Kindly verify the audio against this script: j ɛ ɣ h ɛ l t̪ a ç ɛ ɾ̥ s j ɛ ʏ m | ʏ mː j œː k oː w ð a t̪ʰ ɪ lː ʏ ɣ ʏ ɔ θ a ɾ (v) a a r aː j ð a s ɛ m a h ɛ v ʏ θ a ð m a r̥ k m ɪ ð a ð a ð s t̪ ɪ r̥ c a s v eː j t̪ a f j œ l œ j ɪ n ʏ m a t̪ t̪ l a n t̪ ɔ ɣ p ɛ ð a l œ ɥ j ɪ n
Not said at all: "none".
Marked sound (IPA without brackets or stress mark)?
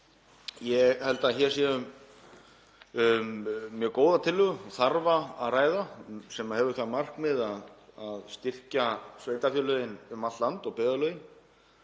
v